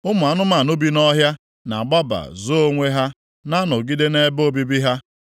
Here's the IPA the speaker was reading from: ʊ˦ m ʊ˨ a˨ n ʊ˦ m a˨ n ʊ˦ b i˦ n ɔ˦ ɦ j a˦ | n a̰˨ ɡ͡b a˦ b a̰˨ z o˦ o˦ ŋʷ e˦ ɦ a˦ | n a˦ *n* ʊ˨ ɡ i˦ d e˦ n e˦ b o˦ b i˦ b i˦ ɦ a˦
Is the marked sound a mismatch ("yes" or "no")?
no